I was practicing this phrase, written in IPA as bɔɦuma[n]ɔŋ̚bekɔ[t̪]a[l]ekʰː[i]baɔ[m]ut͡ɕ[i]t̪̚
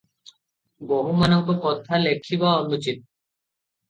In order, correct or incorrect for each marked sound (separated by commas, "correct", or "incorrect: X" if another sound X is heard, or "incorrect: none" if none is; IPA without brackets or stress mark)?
correct, incorrect: t̪ʰ, correct, correct, incorrect: n, correct